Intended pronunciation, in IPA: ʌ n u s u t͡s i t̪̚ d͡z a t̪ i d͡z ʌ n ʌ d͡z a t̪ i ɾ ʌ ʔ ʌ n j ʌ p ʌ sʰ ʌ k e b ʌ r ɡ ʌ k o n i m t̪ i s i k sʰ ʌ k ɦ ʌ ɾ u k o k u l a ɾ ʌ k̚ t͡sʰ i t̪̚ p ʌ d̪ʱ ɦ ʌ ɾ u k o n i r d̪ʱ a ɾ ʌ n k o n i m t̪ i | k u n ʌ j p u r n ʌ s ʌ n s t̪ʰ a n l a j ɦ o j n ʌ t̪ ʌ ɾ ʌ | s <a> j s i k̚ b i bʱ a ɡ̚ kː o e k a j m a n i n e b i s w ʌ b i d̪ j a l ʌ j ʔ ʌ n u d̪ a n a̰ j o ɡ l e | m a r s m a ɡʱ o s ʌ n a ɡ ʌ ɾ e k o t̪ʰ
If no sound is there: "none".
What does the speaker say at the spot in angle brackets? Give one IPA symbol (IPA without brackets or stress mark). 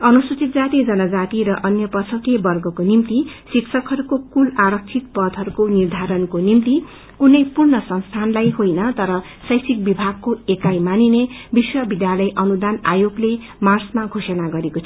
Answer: ʌ